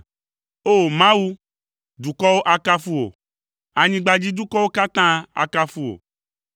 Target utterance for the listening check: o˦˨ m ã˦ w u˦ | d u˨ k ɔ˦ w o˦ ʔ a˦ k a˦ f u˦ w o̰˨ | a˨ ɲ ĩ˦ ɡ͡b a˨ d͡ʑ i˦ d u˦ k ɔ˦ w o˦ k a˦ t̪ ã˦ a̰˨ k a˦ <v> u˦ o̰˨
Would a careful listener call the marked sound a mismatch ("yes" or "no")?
yes